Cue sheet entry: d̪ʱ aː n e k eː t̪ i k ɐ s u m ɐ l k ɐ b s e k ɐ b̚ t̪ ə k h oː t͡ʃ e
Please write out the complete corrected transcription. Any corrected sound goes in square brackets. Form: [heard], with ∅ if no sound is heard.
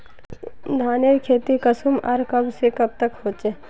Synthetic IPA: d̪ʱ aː n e [kʰ] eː t̪ i k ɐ s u m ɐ [ɾ] k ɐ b s e k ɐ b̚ t̪ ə k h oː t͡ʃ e